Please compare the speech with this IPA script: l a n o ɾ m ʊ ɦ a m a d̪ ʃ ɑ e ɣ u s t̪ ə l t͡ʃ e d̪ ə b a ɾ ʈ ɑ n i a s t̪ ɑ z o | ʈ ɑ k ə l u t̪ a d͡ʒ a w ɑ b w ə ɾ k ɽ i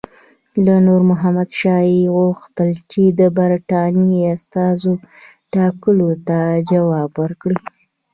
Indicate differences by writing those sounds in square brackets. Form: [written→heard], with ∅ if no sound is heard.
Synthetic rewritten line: l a n o ɾ m ʊ ɦ a m a d̪ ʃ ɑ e ɣ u [s→x] t̪ ə l t͡ʃ e d̪ ə b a ɾ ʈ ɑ n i a s t̪ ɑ z o | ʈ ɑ k ə l [u→o] t̪ a d͡ʒ a w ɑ b w ə ɾ k ɽ i